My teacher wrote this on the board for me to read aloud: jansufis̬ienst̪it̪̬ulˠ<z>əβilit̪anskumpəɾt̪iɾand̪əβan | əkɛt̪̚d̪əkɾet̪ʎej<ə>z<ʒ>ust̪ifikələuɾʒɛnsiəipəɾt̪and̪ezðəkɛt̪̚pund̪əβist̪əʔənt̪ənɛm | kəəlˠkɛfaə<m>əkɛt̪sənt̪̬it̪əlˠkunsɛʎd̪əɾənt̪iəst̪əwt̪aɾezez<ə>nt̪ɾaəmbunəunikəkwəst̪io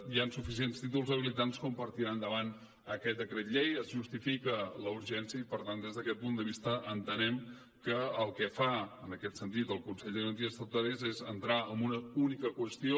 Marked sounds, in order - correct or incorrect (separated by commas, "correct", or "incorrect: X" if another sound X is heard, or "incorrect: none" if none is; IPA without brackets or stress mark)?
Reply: correct, correct, correct, incorrect: n, correct